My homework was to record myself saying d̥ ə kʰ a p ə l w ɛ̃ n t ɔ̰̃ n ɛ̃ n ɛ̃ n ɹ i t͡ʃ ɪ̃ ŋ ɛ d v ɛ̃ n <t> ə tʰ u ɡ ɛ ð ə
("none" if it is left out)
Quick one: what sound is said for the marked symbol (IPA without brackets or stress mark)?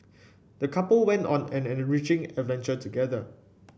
t͡ʃ